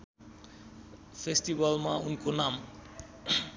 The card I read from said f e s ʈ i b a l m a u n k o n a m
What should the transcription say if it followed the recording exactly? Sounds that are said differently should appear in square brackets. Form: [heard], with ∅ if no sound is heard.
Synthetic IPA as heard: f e s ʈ i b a l m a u n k o n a m